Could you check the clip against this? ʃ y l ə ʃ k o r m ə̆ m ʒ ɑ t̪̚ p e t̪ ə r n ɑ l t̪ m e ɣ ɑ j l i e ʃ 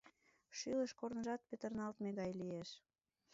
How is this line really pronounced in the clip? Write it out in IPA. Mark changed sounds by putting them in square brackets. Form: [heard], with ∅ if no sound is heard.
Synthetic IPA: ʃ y l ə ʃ k o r [n] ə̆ [∅] ʒ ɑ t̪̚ p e t̪ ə r n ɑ l t̪ m e ɣ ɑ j l i e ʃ